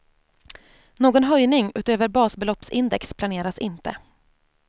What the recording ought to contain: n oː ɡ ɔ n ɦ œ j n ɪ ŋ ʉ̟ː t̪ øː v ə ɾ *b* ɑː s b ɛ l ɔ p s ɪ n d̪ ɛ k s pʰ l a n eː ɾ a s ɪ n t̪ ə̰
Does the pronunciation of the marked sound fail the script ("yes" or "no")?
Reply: no